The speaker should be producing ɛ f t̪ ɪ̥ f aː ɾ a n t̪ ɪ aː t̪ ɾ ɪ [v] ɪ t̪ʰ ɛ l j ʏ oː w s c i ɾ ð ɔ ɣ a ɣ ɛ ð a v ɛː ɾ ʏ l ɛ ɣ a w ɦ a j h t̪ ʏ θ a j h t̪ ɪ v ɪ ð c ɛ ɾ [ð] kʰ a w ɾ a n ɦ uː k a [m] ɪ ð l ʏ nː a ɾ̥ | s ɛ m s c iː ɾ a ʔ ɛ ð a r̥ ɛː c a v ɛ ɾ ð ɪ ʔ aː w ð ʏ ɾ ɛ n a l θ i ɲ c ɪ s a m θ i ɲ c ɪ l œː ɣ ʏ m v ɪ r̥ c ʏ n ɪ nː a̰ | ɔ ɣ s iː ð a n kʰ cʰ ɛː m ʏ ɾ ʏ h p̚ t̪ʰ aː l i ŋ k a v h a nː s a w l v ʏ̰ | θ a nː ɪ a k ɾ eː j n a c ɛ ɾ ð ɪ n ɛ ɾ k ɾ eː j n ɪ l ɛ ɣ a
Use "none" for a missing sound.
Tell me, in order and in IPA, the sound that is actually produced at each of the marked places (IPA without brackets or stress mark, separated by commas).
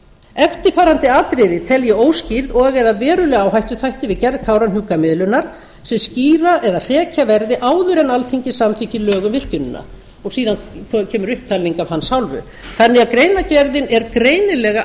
ð, ð, m